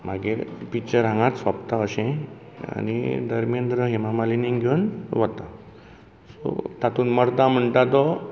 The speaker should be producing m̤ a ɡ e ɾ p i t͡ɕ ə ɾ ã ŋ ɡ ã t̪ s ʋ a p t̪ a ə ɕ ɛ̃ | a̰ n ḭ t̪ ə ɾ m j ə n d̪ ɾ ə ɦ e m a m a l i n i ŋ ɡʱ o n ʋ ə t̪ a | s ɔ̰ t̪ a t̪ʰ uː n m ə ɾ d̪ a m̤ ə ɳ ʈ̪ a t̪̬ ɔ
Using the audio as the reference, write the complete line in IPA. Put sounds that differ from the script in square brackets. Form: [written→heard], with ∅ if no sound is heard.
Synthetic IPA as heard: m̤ a ɡ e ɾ p i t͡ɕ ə ɾ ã ŋ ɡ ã t̪ s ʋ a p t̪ a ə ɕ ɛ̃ | a̰ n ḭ [t̪→d̪] ə ɾ m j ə n d̪ ɾ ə ɦ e m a m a l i n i ŋ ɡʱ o n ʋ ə t̪ a | s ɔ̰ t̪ a [t̪ʰ→t̪] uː n m ə ɾ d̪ a m̤ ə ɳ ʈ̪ a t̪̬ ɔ